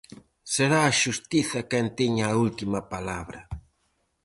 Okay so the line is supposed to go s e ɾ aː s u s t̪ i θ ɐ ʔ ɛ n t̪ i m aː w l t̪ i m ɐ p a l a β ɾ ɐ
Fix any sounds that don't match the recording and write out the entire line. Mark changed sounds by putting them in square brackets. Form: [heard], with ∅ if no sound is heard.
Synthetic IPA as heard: s e ɾ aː [ʃ] u s t̪ i θ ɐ [k] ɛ n t̪ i [ɲ] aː [u] l t̪ i m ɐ p a l a β ɾ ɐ